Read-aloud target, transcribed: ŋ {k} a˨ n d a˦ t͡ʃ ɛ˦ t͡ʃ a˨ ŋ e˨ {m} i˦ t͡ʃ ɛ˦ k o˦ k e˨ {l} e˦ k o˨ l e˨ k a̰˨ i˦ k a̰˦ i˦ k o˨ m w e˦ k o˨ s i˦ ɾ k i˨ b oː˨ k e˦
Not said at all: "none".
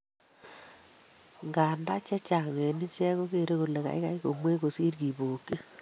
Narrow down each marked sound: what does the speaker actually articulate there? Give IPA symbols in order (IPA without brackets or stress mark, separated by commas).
ɡ, n, ɾ